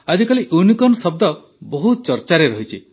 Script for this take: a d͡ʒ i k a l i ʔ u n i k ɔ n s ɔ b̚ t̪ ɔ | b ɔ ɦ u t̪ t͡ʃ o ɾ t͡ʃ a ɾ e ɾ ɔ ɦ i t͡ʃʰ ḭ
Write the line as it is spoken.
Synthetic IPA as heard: a d͡ʒ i k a l i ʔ u n i k ɔ n s ɔ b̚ d̪ ɔ | b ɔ ɦ u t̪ t͡ʃ ɔ ɾ t͡ʃ a ɾ e ɾ ɔ ɦ i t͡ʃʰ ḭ